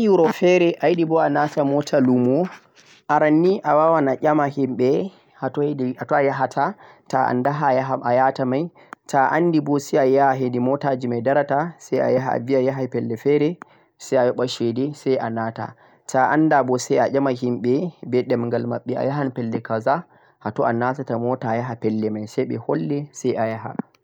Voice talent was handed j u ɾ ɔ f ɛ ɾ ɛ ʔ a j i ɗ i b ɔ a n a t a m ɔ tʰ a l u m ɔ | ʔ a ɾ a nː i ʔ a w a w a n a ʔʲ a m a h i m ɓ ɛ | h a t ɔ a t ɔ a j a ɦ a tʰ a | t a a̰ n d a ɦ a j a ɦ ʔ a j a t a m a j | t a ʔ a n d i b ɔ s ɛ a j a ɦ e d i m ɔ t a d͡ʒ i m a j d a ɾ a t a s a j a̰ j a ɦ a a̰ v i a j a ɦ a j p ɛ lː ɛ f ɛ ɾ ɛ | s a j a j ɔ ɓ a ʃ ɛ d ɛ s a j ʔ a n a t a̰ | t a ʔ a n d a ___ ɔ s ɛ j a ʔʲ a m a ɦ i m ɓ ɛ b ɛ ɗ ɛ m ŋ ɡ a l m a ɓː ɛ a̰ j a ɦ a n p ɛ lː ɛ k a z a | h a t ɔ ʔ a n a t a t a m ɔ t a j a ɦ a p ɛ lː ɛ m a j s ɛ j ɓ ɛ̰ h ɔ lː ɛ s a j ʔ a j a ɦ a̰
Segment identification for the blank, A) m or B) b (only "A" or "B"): B